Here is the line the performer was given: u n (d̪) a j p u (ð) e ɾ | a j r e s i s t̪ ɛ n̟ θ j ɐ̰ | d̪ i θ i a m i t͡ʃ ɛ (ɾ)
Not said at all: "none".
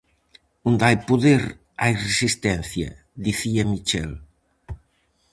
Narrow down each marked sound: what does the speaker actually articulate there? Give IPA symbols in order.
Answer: d̪, ð, l

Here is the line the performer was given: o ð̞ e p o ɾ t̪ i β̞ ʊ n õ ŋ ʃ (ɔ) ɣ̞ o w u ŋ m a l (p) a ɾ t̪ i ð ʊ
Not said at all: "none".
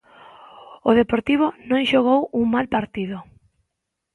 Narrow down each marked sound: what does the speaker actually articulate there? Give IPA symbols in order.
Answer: o, p

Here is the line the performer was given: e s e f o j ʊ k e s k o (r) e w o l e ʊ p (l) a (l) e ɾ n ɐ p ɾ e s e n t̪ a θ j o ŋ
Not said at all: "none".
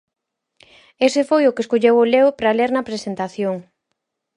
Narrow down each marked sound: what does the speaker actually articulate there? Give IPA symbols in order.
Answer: ʎ, ɾ, l

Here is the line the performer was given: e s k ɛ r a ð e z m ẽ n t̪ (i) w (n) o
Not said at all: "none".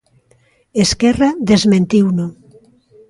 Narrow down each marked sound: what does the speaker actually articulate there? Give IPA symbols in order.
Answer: i, n

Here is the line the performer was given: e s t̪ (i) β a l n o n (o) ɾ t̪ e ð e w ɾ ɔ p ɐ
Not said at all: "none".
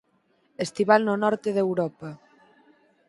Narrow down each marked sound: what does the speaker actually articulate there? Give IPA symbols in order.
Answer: i, ɔ

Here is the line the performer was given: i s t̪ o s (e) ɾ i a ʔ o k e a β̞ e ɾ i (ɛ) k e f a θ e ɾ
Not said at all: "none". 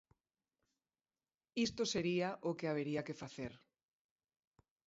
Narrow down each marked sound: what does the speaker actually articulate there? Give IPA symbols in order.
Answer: e, a

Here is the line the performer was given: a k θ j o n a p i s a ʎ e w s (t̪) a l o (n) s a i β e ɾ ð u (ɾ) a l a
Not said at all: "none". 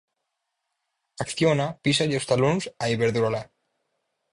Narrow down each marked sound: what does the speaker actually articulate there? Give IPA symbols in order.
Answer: t̪, n, ɾ

